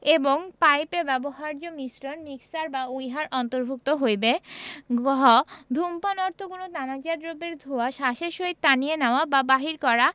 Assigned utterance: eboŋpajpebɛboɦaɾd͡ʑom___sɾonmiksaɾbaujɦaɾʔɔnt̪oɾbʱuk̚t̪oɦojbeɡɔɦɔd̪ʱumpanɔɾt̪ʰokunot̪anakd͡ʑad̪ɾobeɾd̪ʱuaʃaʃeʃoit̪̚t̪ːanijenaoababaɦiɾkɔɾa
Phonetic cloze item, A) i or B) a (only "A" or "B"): A